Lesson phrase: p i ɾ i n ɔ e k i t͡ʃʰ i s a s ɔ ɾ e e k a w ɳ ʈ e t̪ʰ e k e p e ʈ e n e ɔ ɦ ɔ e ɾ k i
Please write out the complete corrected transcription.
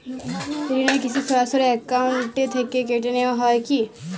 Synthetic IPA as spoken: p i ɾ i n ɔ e k i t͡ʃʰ i s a s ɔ ɾ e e k a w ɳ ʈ e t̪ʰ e k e k e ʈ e n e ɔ ɦ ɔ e k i